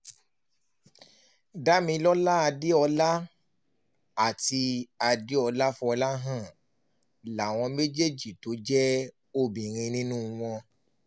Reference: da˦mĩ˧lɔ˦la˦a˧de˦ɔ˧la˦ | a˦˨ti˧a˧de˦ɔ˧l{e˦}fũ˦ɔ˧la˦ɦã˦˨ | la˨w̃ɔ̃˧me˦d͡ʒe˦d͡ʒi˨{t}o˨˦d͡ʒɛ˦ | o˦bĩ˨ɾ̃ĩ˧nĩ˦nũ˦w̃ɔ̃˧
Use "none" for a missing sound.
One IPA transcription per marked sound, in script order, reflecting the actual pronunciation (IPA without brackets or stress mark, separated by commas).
a˦, t